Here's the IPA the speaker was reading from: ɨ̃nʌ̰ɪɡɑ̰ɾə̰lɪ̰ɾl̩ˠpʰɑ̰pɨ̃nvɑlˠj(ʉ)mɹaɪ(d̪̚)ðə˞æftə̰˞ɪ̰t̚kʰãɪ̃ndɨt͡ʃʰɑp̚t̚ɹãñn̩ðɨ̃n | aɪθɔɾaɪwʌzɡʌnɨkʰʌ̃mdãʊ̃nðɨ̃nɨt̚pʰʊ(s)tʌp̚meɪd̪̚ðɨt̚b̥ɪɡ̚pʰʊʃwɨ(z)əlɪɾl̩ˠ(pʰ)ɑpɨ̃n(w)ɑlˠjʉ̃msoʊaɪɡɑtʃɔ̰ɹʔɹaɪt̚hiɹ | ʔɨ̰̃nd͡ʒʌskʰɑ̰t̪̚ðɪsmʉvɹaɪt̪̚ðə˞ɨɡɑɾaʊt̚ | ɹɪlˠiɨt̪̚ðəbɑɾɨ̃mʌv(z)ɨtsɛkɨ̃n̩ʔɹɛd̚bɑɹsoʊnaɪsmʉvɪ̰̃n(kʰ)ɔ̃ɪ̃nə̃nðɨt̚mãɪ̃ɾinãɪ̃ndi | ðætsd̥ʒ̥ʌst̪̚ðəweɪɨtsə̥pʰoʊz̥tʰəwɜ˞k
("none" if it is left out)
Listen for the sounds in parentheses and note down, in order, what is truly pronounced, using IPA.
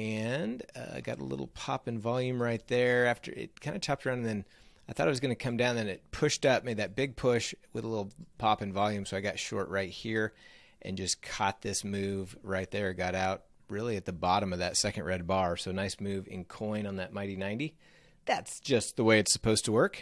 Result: ʉ̃, t̪̚, ʃ, ð, pʰ, v, ð, kʰ

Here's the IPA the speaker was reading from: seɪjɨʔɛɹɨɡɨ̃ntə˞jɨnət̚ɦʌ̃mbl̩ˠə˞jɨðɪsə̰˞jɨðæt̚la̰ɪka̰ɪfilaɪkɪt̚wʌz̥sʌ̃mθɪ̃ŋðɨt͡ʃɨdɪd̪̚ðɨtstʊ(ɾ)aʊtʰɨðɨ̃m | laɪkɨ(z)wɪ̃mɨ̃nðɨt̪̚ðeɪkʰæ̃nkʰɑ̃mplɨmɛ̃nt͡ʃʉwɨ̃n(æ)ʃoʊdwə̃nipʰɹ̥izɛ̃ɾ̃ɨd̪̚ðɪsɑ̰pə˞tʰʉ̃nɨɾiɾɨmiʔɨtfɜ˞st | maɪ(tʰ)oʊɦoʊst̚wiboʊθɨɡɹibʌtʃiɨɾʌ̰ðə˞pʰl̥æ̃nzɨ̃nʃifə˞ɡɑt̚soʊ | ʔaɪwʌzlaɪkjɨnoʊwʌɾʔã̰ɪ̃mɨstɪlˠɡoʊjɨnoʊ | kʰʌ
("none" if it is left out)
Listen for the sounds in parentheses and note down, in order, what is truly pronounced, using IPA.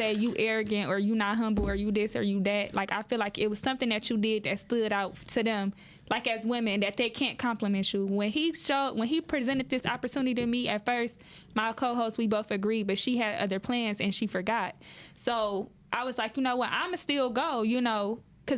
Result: ɾ, z, i, kʰ

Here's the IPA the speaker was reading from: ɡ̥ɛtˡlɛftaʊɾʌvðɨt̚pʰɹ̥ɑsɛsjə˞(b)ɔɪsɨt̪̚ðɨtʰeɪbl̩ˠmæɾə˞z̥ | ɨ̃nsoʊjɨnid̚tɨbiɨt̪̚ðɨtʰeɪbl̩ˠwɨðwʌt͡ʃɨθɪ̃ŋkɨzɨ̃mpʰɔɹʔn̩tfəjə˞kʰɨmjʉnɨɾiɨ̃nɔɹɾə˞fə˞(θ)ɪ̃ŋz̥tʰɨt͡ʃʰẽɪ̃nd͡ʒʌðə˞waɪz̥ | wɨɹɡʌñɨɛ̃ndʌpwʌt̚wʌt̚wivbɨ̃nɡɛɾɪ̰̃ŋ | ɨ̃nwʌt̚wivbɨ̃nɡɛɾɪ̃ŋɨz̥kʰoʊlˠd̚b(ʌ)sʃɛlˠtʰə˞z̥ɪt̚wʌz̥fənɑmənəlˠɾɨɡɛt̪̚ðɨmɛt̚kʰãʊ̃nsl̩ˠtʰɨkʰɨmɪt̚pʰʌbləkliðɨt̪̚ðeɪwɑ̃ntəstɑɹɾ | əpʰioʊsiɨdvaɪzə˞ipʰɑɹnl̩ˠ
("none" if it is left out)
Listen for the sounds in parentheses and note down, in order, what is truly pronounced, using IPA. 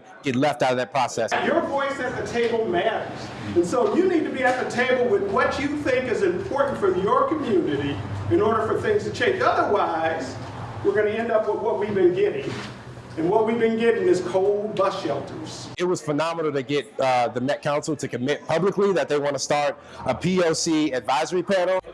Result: v, θ, ʌ

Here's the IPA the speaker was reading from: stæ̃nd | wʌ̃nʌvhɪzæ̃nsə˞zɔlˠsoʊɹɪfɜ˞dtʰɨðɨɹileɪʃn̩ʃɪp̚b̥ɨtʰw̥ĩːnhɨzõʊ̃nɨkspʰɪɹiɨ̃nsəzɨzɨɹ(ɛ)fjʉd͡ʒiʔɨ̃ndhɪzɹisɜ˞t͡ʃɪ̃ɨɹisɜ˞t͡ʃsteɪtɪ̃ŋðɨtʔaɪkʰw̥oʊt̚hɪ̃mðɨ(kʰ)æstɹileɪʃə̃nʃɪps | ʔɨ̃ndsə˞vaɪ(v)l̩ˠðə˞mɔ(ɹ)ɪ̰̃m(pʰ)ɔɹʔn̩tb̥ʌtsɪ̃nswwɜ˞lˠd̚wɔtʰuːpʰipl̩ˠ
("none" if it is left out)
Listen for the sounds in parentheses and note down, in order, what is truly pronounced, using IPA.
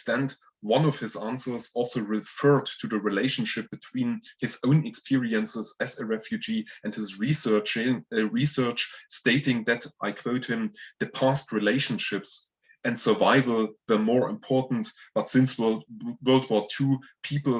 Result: ɛ, pʰ, v, ɹ, pʰ

